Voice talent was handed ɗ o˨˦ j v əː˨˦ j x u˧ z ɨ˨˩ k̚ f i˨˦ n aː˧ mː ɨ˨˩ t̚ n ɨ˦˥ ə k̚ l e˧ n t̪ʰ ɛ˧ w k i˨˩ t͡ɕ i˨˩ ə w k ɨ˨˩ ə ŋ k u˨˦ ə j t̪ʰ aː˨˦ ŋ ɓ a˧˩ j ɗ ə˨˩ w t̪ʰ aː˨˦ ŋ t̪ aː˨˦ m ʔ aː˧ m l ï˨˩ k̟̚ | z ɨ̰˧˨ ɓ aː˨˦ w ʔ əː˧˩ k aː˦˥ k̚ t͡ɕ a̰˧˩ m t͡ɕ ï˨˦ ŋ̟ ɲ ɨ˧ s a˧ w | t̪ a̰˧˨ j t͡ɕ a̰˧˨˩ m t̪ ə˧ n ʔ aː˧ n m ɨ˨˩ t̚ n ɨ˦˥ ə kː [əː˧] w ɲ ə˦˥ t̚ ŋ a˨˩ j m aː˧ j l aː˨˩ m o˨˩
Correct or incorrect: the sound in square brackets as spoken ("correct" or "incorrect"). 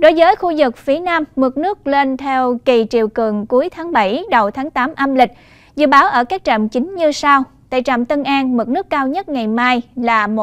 incorrect